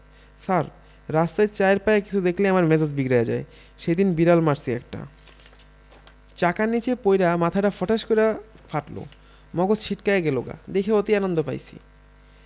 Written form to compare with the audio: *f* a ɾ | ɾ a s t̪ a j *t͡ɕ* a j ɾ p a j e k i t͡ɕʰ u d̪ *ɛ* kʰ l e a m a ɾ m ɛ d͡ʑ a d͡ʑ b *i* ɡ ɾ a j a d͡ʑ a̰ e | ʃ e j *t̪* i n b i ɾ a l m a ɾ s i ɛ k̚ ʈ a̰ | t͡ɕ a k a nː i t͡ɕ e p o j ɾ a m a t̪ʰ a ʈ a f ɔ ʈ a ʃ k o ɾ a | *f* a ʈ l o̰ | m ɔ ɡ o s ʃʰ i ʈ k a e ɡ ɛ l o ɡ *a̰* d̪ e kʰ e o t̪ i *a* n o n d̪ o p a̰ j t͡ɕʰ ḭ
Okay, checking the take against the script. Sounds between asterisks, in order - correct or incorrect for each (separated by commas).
incorrect, correct, incorrect, correct, incorrect, correct, correct, correct